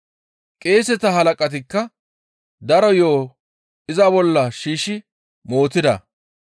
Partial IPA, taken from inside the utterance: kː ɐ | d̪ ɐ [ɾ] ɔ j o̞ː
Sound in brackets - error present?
no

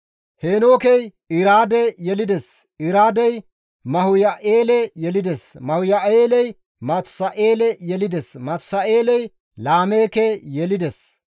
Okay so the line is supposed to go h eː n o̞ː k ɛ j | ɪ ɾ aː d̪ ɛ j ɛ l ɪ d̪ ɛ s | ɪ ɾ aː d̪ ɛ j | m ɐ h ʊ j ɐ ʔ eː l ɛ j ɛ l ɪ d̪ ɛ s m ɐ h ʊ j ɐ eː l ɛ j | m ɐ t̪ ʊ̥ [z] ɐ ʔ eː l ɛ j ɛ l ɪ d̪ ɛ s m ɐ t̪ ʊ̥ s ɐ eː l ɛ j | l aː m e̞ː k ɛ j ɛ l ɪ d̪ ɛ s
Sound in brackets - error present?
yes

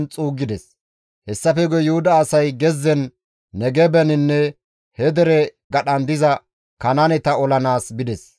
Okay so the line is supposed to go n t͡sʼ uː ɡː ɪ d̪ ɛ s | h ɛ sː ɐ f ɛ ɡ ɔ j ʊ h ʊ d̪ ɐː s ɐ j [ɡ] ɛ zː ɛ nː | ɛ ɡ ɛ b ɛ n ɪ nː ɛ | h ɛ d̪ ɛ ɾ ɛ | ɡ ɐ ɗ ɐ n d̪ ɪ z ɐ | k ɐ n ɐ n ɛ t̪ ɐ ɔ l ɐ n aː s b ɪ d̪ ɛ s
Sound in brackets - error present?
no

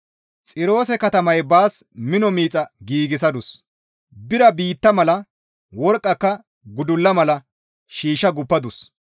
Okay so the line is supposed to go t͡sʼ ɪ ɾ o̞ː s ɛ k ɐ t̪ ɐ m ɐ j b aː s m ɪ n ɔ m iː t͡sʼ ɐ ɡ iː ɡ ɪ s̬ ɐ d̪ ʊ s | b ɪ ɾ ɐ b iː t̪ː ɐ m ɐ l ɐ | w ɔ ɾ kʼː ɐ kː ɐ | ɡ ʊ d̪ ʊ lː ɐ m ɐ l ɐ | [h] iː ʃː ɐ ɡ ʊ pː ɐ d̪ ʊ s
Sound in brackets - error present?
yes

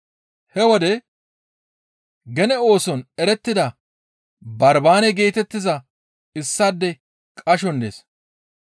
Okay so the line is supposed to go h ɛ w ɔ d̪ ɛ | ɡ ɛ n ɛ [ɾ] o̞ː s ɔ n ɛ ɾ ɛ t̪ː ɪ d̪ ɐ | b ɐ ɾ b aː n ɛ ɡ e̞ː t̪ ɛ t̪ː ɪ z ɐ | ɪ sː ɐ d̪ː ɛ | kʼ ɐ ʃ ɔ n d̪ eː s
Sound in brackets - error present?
yes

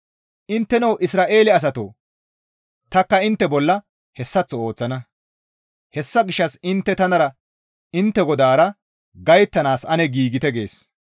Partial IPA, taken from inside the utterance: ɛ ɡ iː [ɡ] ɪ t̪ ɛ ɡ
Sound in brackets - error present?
no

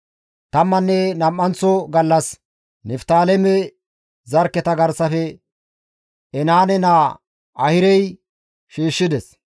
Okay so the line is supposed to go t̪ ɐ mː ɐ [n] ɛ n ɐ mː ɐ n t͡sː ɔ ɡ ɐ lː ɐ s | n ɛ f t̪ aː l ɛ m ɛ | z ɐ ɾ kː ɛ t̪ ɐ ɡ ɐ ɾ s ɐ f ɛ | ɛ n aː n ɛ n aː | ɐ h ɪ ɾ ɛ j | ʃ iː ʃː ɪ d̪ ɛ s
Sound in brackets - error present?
yes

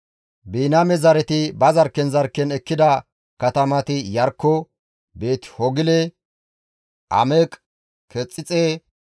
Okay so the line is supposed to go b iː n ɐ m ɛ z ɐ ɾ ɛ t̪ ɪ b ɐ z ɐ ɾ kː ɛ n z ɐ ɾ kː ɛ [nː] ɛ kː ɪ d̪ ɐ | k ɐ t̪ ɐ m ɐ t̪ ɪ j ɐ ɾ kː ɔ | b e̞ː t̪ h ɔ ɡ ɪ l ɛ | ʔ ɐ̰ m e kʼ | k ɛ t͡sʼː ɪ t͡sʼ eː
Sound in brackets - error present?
yes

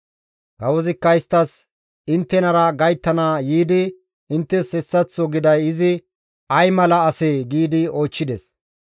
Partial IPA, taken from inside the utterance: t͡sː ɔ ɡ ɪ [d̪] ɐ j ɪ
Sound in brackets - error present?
no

